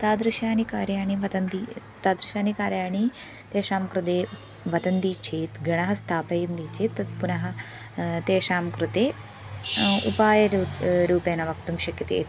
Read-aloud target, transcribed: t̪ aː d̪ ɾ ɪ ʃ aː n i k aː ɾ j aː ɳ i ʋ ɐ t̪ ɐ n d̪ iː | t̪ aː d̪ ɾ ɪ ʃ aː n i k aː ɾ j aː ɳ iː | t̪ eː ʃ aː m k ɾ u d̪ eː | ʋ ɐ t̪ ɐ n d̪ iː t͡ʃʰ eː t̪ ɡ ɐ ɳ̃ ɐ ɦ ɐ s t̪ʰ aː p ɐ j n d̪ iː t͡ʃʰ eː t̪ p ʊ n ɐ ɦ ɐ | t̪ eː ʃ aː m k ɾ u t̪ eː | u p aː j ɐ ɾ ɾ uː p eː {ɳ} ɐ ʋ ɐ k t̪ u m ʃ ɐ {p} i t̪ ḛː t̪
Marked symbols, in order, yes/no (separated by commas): no, no